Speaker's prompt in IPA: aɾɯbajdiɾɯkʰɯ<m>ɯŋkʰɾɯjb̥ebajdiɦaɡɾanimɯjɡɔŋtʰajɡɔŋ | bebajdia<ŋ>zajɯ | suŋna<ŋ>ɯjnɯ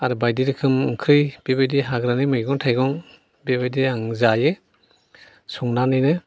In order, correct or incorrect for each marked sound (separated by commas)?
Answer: correct, correct, incorrect